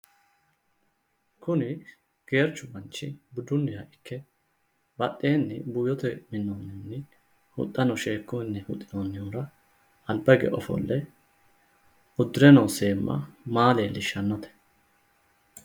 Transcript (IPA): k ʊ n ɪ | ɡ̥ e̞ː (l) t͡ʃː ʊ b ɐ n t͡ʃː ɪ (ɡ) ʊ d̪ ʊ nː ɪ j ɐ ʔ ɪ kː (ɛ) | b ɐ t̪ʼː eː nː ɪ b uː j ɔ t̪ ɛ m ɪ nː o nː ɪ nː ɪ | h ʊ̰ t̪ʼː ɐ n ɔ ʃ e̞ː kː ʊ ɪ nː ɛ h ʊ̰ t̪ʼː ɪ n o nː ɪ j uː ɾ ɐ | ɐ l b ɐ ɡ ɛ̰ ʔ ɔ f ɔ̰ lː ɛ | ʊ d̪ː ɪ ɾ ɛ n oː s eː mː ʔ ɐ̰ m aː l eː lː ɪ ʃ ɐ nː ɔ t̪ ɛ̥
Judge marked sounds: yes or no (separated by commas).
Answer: no, no, yes